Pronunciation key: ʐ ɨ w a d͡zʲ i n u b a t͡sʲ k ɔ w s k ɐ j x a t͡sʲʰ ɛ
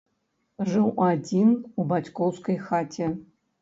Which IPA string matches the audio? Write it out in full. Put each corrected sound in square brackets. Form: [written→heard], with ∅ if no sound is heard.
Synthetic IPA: ʐ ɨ w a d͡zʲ i n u b a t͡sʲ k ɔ w s k ɐ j x a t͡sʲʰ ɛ